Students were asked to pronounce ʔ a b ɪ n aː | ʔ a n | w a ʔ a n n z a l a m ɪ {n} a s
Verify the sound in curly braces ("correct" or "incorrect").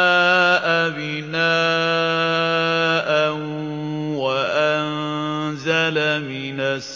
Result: correct